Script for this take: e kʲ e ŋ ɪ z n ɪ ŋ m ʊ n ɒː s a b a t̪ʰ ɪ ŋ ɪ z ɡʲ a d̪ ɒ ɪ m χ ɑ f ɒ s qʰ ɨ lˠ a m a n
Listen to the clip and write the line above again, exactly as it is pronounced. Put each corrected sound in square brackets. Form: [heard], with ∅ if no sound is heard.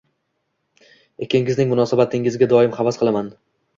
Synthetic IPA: e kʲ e ŋ ɪ z n ɪ ŋ m ʊ n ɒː s a b a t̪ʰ ɪ ŋ ɪ z ɡʲ a d̪ ɒ ɪ m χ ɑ [v] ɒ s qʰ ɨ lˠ a m a n